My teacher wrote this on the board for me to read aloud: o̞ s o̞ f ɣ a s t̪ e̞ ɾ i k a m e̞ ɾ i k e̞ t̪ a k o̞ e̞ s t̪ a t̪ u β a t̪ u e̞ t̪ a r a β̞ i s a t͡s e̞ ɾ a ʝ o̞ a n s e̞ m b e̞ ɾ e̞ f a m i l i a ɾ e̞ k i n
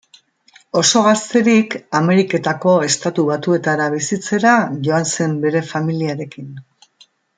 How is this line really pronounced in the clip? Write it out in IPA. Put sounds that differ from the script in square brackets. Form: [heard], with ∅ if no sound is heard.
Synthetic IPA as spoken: o̞ s o̞ [∅] ɣ a s t̪ e̞ ɾ i k a m e̞ ɾ i k e̞ t̪ a k o̞ e̞ s t̪ a t̪ u β a t̪ u e̞ t̪ a [ɾ] a β̞ i s [i] t͡s e̞ ɾ a ʝ o̞ a n s e̞ m b e̞ ɾ e̞ f a m i l i a ɾ e̞ k i n